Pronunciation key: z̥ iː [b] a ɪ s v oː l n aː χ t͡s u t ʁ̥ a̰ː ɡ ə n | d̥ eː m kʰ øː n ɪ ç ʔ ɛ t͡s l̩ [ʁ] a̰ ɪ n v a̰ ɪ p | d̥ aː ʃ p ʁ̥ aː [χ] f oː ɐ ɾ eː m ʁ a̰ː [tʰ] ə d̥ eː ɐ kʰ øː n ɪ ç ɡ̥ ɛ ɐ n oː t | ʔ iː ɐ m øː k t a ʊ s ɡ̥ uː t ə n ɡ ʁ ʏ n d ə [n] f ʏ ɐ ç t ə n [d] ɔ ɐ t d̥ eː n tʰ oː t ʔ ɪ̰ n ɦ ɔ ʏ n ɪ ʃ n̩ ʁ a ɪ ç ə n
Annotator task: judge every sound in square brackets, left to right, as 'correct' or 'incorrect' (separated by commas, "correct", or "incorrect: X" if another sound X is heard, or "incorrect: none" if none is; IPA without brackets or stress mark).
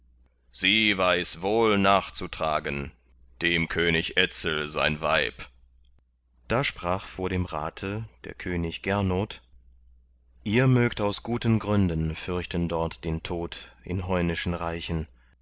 incorrect: v, incorrect: z, correct, correct, correct, correct